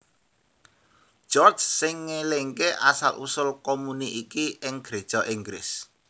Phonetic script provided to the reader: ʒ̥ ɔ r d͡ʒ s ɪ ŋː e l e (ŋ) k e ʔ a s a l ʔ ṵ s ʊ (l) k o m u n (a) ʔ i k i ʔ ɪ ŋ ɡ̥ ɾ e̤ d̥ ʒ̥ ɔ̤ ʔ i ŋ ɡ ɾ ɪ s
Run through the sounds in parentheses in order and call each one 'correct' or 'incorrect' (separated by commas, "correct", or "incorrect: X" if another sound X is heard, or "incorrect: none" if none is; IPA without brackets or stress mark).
correct, correct, incorrect: i